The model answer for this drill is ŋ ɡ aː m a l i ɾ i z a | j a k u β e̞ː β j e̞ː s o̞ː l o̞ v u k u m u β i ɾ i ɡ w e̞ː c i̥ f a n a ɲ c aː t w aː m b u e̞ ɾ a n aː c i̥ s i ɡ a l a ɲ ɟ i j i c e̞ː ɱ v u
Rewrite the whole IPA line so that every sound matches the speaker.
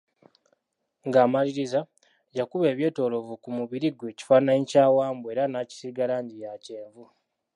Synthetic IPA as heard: ŋ ɡ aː m a l i ɾ i z a | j a k u β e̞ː β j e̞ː t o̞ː l o̞ v u k u m u β i ɾ i ɡ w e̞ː c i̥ f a n a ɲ c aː w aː m b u e̞ ɾ a n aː c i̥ s i ɡ a l a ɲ ɟ i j a c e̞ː ɱ v u